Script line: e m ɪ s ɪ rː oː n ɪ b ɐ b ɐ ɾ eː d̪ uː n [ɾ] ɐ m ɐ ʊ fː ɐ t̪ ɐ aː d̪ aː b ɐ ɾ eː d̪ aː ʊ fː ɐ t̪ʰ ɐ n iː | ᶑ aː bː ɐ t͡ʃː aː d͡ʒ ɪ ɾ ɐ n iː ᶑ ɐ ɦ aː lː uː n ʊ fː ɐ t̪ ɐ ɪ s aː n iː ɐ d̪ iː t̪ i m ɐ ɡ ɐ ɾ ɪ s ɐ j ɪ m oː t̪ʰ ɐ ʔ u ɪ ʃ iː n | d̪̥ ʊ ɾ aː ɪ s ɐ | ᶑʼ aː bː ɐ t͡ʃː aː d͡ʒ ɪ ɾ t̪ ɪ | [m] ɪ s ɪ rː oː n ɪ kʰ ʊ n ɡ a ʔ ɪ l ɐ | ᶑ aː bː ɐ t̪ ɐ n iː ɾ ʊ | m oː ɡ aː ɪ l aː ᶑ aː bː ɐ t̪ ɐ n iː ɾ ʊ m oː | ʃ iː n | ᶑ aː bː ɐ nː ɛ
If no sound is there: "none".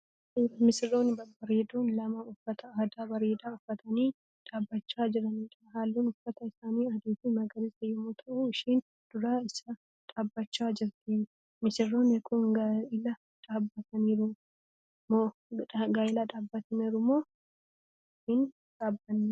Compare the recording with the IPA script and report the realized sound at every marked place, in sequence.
l, m

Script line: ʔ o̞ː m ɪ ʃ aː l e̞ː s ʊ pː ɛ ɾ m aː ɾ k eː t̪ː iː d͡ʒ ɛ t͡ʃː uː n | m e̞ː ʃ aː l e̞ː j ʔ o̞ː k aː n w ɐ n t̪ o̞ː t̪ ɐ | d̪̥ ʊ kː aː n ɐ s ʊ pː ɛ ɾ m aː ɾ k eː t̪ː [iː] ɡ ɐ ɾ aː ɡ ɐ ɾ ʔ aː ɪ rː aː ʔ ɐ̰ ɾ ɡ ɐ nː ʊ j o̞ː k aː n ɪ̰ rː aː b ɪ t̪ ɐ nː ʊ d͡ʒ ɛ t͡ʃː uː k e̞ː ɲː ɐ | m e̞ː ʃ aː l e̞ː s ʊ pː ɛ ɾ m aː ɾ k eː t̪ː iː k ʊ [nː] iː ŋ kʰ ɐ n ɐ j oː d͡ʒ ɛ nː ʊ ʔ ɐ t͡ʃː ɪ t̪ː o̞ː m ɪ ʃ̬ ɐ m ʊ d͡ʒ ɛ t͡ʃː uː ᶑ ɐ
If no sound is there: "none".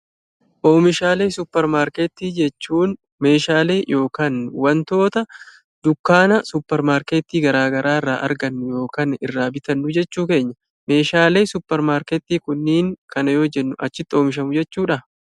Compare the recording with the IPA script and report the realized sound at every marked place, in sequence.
iː, nː

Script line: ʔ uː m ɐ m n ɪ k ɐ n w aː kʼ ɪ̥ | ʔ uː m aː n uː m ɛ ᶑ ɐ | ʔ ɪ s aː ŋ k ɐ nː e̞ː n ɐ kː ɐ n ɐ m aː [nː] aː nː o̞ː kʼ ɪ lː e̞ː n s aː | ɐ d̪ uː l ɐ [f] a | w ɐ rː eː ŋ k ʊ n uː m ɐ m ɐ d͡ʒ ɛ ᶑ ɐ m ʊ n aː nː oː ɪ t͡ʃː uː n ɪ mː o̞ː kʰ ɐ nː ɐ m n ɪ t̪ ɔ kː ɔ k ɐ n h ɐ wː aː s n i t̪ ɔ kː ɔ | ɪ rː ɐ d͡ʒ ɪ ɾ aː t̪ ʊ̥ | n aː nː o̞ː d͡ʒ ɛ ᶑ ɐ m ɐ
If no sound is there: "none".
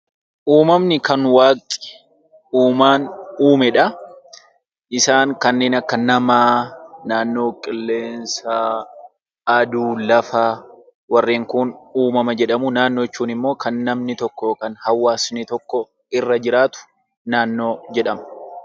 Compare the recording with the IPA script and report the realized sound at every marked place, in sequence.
n, f

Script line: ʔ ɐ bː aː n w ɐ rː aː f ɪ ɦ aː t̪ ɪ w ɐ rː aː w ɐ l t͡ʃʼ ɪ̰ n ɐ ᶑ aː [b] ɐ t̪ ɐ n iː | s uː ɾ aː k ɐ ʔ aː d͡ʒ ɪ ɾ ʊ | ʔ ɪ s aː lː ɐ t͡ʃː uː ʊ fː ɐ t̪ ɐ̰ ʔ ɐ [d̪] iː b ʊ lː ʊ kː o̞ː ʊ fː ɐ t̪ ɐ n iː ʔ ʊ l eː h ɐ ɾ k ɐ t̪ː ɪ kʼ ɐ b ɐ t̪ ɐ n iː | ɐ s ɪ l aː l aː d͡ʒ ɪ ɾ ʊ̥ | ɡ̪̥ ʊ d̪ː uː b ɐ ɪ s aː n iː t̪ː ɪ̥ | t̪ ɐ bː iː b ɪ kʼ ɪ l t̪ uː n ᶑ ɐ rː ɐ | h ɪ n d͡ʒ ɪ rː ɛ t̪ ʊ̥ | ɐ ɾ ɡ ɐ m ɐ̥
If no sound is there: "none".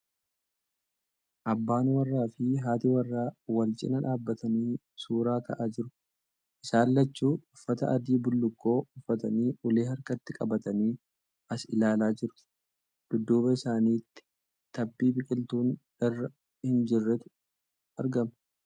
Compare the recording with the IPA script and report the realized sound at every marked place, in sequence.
bː, d̪

